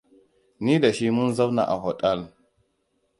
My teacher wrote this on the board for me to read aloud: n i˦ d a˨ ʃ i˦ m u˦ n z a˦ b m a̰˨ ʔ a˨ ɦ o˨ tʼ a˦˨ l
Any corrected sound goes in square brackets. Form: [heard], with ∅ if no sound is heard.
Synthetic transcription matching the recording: n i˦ d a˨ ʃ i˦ m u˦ n z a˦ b [n] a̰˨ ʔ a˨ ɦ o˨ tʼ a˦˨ l

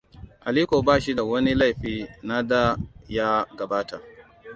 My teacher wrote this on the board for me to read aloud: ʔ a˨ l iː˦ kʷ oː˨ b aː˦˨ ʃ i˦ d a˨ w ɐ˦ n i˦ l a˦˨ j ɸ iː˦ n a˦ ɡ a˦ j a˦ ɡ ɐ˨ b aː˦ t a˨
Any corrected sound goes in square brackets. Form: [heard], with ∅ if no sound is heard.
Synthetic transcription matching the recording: ʔ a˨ l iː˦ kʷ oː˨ b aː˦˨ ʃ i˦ d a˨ w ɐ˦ n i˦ l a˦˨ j ɸ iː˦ n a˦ [d] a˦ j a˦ ɡ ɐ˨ b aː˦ t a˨

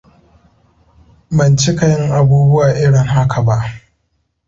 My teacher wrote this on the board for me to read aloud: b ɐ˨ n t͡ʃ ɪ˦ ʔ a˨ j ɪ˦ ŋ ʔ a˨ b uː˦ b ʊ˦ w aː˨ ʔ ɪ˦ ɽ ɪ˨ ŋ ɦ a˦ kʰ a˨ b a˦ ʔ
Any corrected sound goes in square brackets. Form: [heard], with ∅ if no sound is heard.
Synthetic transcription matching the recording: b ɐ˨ n t͡ʃ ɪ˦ [k] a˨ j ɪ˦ ŋ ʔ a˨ b uː˦ b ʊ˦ w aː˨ ʔ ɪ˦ ɽ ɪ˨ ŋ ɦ a˦ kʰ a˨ b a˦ ʔ

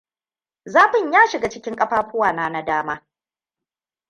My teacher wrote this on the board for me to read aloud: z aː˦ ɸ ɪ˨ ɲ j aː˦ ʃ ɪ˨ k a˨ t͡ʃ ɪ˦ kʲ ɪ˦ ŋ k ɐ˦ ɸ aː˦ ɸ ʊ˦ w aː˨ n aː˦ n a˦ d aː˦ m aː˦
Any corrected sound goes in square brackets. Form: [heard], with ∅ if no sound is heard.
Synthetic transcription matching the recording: z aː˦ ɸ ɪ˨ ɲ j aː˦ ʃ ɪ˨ [ɡ] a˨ t͡ʃ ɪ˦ kʲ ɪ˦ ŋ [kʼ] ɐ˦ ɸ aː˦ ɸ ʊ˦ w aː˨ n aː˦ n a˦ d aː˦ m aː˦

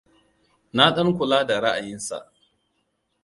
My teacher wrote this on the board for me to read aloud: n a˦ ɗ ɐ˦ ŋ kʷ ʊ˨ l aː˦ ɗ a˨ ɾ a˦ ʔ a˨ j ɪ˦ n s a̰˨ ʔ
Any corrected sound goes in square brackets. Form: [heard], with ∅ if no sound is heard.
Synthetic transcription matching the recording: n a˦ ɗ ɐ˦ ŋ kʷ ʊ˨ l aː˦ [d] a˨ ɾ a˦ ʔ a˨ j ɪ˦ n s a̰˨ ʔ

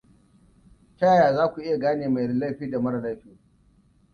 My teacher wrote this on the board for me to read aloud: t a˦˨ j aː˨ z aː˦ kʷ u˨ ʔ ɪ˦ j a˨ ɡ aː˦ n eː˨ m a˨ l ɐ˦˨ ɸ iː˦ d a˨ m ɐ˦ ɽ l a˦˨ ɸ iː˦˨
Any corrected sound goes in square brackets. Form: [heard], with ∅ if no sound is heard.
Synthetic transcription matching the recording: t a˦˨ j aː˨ z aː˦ kʷ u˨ ʔ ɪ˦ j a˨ ɡ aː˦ n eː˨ m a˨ l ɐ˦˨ ɸ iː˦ d a˨ m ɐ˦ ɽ l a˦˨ ɸ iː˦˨

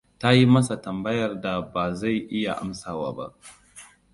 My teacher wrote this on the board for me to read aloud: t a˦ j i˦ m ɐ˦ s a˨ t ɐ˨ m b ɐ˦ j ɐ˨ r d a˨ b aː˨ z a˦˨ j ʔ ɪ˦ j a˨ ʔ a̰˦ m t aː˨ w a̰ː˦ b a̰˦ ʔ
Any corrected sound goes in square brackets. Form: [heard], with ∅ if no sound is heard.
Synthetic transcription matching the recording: t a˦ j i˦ m ɐ˦ s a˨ t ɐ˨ m b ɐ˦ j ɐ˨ r d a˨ b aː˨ z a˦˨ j ʔ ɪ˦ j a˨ ʔ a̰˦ m [s] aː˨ w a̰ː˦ b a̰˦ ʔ

